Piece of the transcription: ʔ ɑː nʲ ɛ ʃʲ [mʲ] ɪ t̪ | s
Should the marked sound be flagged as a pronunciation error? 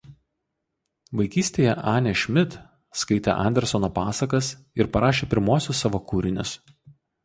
no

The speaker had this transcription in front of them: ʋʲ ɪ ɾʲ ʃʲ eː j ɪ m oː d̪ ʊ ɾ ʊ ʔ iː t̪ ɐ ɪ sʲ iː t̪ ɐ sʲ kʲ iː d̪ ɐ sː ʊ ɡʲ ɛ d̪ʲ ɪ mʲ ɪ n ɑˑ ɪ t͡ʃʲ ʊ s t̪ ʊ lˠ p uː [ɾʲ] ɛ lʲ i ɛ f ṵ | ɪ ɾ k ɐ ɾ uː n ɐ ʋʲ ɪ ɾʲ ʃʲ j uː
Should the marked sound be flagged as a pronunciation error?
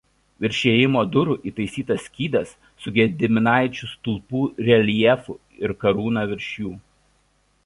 no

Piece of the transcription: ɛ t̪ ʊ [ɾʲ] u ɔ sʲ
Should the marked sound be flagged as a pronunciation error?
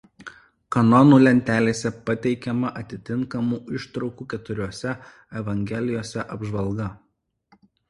no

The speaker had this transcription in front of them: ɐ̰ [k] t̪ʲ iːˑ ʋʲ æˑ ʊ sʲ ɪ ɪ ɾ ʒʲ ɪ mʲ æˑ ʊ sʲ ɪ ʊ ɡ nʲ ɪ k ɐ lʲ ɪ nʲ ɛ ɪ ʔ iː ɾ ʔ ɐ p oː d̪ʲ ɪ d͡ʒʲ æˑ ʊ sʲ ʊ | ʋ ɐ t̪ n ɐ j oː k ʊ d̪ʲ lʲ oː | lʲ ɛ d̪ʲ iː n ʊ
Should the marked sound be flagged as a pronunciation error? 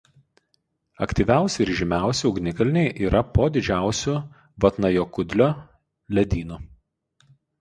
no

